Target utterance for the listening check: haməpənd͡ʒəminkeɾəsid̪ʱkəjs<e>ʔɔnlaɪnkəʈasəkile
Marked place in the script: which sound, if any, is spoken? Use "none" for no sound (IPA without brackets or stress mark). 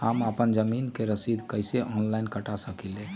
e